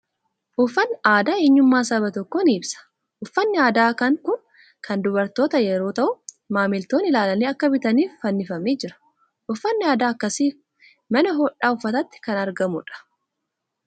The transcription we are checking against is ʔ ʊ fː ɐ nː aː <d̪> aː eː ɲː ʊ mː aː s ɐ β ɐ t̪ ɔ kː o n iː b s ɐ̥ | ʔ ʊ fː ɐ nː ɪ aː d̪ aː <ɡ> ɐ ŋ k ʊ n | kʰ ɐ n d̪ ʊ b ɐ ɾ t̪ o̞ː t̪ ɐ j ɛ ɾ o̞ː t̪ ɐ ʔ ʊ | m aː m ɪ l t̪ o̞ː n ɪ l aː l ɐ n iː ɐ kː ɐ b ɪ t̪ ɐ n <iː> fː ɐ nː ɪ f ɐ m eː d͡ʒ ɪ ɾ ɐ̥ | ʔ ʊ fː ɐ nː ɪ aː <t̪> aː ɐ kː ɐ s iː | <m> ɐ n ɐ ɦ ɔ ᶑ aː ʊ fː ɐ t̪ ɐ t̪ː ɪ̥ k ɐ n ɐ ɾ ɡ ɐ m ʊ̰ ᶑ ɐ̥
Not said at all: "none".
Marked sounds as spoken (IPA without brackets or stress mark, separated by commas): d̪, k, iː, d̪, m